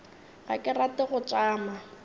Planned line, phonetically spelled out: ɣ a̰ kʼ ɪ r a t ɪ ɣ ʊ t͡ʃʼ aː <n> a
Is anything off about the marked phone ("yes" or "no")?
yes